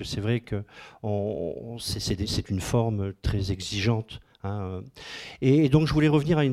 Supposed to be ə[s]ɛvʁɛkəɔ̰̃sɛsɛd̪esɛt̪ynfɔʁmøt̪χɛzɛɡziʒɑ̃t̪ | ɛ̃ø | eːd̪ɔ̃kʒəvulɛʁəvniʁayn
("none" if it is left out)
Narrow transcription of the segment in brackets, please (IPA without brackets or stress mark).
s